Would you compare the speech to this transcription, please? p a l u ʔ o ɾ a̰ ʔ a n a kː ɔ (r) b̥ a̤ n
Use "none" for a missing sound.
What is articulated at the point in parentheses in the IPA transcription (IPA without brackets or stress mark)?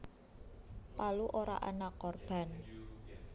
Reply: r